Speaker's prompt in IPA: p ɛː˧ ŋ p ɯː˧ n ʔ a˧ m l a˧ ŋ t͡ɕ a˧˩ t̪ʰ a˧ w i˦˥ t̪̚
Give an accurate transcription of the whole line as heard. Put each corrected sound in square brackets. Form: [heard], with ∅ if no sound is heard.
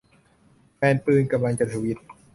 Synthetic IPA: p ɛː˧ [n] p ɯː˧ n [k] a˧ m l a˧ ŋ t͡ɕ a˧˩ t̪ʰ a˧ w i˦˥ t̪̚